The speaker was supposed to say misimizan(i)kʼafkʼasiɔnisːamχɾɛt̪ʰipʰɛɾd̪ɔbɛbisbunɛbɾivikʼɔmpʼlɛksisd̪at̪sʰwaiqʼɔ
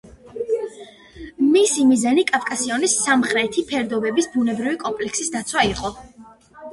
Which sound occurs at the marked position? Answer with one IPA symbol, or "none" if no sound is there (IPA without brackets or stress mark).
i